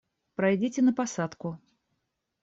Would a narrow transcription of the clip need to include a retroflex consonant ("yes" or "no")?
no